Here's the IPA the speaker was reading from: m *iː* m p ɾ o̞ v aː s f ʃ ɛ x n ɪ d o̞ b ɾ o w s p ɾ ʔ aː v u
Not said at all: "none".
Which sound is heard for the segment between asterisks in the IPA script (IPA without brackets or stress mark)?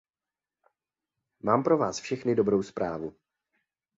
aː